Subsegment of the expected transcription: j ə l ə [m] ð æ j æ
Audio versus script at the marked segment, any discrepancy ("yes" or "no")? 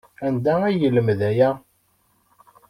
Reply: no